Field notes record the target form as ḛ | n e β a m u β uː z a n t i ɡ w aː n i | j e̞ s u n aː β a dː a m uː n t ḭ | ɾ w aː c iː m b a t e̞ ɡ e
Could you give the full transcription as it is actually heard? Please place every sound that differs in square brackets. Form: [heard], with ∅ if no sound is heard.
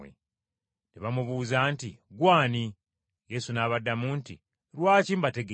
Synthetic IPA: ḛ | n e β a m u β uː z a n t i ɡ w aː n i | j e̞ s u n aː β a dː a m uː n t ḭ | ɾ w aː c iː m b a t e̞ ɡ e

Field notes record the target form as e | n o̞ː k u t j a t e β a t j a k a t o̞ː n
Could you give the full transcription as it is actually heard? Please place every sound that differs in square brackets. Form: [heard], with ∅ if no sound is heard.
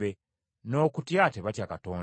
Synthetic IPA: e | n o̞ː k u t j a t e β a t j a k a t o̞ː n

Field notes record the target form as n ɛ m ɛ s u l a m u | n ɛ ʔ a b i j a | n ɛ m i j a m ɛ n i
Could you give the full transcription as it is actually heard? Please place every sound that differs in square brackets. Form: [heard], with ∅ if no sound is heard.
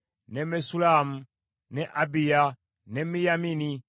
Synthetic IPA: n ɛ m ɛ s u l a m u | n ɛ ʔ a b i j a | n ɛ m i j a m [i] n i

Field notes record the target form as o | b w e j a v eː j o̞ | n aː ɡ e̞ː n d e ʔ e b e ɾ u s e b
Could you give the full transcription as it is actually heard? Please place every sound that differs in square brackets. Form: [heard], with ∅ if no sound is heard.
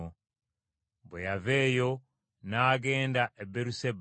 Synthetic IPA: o | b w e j a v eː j o̞ | n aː ɡ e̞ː n d [a] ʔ e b e ɾ u s e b

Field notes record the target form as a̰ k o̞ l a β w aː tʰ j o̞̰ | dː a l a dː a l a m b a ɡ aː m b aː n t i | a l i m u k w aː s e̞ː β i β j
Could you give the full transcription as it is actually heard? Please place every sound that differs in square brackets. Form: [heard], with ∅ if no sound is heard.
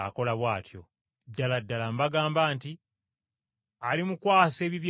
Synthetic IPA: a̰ k o̞ l a β w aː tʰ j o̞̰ | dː a l a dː a l a m b a ɡ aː m b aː n t i | a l i m u k w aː s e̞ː β i β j

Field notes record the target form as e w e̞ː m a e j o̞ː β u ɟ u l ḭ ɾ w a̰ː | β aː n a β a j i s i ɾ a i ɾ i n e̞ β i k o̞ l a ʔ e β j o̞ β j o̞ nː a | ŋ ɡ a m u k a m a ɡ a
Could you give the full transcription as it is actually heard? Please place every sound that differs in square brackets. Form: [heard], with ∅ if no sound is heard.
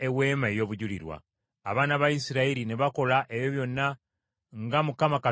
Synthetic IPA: e w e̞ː m a e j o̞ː β u ɟ u l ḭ ɾ w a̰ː | β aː n a β a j i s i ɾ a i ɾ i n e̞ β [a] k o̞ l a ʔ e β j o̞ β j o̞ nː a | ŋ ɡ a m u k a m a [k] a

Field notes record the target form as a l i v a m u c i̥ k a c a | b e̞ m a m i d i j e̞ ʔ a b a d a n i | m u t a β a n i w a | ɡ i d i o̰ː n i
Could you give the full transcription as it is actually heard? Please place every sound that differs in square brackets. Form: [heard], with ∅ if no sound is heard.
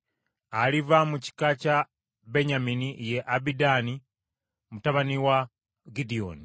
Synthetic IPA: a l i v a m u c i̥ k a c a | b e̞ [ɲ] a m i [n] i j e̞ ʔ a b [i] d a n i | m u t a β a n i w a | ɡ i d i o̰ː n i

